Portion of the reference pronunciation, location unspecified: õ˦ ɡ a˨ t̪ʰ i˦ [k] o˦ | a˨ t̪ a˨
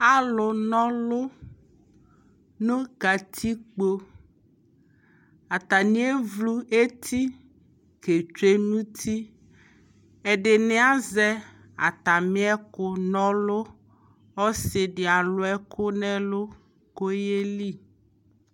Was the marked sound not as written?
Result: yes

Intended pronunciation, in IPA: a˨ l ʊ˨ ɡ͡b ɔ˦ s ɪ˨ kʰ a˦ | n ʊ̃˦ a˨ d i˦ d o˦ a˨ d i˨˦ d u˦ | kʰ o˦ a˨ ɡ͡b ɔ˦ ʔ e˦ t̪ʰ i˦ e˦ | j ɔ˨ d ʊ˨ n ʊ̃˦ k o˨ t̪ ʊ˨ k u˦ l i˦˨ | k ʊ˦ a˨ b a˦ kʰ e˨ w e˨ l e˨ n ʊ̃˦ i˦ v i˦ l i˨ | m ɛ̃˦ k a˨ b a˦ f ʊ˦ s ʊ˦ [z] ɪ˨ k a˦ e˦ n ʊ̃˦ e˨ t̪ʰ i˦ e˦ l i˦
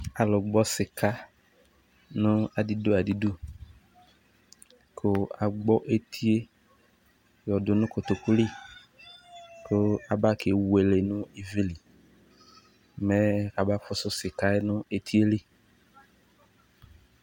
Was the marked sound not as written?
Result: yes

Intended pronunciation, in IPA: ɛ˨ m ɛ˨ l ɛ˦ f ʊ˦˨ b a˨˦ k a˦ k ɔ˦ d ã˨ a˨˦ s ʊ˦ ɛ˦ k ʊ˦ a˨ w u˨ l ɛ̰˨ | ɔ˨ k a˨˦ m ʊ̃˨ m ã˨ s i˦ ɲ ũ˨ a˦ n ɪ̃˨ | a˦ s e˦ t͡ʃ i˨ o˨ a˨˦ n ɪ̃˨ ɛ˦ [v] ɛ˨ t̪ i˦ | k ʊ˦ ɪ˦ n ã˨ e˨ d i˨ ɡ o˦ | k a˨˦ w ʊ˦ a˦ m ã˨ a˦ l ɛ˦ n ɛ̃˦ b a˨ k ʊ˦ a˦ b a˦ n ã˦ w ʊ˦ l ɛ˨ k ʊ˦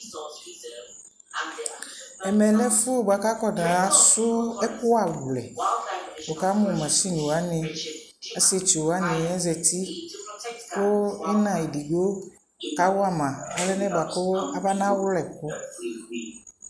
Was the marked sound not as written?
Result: yes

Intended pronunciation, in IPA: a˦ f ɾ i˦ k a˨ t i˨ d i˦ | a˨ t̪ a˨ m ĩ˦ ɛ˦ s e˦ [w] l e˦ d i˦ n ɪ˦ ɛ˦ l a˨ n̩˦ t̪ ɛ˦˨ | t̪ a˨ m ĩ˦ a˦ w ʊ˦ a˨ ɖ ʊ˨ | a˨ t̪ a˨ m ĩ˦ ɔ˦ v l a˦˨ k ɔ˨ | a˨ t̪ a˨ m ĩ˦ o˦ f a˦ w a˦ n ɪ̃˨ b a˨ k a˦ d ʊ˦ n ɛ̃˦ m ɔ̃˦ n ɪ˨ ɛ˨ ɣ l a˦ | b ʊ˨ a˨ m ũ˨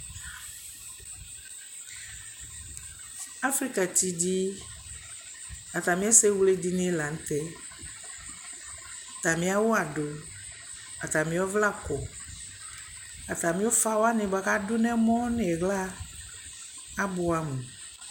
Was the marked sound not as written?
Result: no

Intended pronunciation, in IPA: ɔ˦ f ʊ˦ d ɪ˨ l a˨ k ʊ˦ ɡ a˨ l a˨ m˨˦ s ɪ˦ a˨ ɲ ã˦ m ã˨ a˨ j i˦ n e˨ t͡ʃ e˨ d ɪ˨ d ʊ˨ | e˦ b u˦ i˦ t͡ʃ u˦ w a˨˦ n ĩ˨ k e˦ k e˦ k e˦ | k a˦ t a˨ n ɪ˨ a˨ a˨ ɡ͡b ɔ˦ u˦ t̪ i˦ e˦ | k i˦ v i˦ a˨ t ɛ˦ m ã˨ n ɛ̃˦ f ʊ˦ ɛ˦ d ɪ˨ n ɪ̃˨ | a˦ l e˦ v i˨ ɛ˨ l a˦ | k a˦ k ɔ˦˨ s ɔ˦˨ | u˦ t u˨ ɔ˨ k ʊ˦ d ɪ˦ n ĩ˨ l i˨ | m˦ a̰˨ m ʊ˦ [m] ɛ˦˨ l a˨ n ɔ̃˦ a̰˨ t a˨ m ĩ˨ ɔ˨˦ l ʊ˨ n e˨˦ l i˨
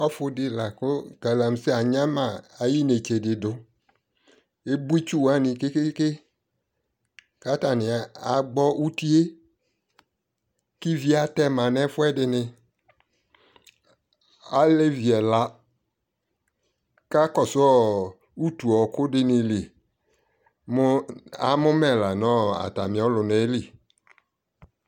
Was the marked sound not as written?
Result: no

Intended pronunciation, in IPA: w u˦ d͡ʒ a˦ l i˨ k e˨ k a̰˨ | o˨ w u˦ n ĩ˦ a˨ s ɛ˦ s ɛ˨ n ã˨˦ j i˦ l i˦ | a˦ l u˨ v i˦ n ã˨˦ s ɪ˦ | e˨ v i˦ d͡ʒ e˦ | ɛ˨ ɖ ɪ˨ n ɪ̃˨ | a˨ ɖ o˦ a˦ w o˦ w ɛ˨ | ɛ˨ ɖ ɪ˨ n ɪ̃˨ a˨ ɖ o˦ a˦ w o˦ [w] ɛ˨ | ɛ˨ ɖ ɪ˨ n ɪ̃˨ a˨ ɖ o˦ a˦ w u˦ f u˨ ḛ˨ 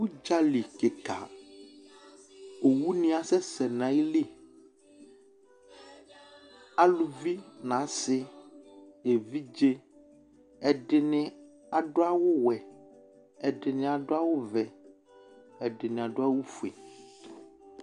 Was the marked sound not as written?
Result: yes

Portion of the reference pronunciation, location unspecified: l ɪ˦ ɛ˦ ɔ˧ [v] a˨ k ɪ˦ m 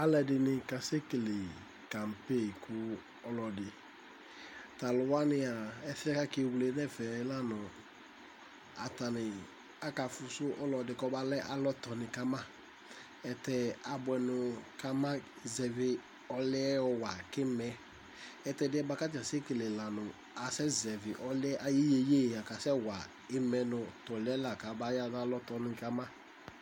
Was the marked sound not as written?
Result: yes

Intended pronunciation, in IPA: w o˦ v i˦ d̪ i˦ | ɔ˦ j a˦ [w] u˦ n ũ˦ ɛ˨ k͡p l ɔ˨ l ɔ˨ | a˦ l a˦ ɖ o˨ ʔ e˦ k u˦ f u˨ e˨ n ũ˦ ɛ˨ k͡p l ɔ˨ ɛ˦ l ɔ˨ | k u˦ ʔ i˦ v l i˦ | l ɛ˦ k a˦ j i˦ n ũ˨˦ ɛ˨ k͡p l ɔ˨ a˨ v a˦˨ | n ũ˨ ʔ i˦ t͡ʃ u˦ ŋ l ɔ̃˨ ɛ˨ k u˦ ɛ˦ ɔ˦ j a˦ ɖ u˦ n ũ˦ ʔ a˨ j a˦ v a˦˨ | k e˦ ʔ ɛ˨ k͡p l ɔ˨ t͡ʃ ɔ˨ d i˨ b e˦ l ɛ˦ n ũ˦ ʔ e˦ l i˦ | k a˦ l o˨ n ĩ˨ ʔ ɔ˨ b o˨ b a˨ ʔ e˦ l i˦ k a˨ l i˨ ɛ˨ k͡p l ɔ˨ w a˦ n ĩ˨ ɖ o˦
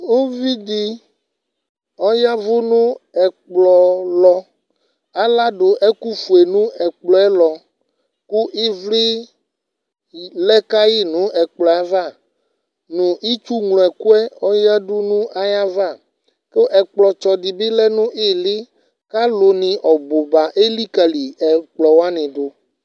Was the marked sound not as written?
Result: yes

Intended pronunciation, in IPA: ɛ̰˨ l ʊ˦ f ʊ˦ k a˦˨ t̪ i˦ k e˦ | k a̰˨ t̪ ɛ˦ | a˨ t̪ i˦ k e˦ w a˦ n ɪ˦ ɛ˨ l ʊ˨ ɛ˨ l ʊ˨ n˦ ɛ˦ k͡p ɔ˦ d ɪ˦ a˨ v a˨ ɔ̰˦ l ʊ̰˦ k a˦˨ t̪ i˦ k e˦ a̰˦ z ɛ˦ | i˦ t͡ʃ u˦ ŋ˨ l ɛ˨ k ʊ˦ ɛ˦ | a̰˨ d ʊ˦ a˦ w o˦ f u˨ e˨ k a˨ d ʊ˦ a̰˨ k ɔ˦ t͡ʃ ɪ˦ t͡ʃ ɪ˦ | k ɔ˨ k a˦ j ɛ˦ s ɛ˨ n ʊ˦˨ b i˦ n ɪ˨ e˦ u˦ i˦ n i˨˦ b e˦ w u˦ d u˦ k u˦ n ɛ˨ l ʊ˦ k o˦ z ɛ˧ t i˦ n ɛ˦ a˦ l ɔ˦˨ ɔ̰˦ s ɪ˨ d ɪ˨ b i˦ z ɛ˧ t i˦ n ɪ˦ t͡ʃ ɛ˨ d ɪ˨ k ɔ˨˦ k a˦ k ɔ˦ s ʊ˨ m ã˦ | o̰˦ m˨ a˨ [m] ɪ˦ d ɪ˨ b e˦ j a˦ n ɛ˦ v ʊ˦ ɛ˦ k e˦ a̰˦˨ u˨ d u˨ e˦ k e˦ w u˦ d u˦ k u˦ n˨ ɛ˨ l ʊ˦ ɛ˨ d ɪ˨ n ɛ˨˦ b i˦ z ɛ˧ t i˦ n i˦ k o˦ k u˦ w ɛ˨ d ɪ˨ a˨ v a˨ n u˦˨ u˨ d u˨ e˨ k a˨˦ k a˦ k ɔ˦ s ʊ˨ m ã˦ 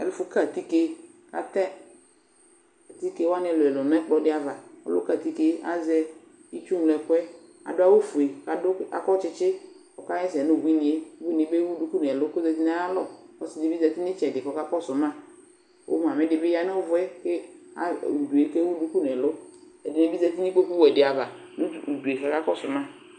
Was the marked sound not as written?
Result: no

